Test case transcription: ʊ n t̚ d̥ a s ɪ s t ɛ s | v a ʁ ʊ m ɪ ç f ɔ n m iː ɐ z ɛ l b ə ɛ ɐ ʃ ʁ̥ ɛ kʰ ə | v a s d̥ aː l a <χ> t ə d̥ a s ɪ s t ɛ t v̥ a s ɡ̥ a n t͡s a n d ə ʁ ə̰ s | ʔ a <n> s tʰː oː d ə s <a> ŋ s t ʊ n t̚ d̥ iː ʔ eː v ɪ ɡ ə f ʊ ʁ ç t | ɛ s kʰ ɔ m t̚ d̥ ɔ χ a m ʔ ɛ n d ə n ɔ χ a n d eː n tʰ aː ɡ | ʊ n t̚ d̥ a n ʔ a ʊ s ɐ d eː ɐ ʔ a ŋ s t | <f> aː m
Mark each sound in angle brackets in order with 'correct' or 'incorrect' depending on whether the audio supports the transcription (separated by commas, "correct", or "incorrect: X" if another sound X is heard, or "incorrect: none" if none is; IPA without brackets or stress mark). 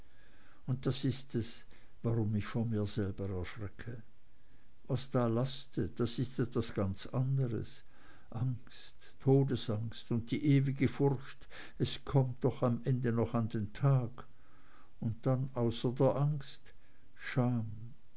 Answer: incorrect: s, incorrect: ŋ, correct, incorrect: ʃ